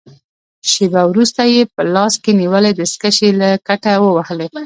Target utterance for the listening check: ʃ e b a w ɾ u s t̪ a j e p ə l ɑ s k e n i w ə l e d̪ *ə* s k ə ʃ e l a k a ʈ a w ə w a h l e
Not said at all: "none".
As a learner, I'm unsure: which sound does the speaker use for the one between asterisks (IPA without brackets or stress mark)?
ə